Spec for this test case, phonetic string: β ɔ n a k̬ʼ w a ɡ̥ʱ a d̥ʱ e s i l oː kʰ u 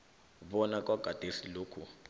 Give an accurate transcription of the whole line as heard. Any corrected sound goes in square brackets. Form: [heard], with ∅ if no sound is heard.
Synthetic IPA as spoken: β ɔ n a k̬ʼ w a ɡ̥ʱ a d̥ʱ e s i l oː kʰ u

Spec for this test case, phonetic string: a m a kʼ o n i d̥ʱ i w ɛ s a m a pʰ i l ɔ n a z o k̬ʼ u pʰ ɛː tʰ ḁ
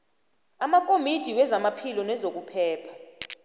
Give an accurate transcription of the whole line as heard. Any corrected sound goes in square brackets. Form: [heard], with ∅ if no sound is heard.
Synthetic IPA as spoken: a m a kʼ o [m] i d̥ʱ i w ɛ [z] a m a pʰ i l ɔ n [ɛ] z o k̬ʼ u pʰ ɛː [pʰ] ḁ

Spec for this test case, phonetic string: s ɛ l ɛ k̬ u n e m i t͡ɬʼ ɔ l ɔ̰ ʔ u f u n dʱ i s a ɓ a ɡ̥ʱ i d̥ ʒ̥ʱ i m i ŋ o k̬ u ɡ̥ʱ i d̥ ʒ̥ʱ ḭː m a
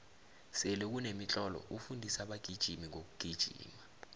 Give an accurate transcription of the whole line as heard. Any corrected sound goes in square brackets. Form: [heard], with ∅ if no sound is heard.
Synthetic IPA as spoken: s ɛ l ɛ k̬ u n e m i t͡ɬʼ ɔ l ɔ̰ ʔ u f u n dʱ i s a ɓ a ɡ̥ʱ i d̥ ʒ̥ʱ i m i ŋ o k̬ u ɡ̥ʱ i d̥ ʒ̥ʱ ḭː m a

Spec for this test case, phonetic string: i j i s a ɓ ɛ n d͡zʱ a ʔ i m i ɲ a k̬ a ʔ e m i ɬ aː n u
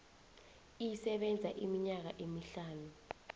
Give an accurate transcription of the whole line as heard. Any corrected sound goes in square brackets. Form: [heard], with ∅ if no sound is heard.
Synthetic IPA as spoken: i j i s [ɛ] ɓ ɛ n d͡zʱ a ʔ i m i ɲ a k̬ a ʔ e m i ɬ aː n u

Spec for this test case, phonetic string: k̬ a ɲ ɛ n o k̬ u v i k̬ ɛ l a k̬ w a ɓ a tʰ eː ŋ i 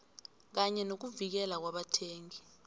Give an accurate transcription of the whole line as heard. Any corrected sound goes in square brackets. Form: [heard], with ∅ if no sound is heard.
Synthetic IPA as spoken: k̬ a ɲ ɛ n o k̬ u v i k̬ ɛ l a k̬ w a ɓ a tʰ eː ŋ i

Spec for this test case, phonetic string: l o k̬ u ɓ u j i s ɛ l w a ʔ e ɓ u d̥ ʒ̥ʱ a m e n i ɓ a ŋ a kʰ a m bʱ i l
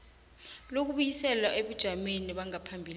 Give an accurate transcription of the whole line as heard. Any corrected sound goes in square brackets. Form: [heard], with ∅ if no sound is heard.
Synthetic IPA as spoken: l o k̬ u ɓ u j i s ɛ l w a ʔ e ɓ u d̥ ʒ̥ʱ a m e n i ɓ a ŋ a [pʰ] a m bʱ i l

